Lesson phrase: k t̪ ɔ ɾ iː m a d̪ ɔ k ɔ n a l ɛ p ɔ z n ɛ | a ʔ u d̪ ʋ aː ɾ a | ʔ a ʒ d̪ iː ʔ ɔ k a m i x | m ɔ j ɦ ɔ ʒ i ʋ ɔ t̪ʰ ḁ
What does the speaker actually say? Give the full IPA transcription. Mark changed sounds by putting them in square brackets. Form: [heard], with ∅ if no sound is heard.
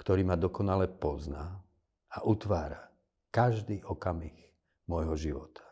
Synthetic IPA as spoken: k t̪ ɔ ɾ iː m a d̪ ɔ k ɔ n a l ɛ p ɔ z n [a] | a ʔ u [t̪] ʋ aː ɾ a | [k] a ʒ d̪ iː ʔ ɔ k a m i x | m ɔ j ɦ ɔ ʒ i ʋ ɔ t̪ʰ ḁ